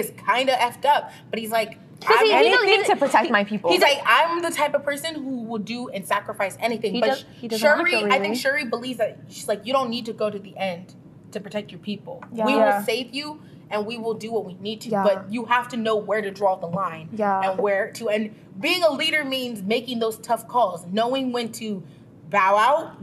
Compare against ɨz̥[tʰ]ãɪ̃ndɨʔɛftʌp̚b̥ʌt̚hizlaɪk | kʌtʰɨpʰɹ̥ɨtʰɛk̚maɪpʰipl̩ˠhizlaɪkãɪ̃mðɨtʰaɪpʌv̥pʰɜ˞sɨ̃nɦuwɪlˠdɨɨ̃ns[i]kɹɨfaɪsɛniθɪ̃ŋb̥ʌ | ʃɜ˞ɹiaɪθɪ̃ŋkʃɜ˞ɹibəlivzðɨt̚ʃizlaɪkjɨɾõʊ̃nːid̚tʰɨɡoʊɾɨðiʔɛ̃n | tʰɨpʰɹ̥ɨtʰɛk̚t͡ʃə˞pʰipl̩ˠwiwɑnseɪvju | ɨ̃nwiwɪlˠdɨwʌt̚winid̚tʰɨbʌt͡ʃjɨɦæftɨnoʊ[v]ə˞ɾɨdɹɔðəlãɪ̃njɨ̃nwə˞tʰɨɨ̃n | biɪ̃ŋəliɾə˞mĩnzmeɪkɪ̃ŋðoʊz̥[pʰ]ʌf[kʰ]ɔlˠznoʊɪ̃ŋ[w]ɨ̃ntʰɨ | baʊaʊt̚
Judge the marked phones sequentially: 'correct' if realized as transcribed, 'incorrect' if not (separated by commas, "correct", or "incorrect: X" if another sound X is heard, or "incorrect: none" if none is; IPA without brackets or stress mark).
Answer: incorrect: kʰ, incorrect: æ, incorrect: w, incorrect: tʰ, correct, correct